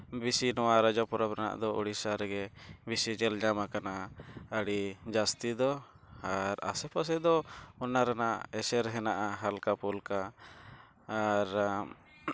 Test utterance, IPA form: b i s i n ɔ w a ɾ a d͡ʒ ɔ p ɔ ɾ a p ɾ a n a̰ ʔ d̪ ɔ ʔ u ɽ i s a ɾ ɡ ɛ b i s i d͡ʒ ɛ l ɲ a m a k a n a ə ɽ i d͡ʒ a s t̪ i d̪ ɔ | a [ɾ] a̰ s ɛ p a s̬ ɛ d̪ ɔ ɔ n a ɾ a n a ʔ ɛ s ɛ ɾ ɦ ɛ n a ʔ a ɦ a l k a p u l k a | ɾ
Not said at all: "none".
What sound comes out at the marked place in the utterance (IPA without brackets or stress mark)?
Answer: ɾ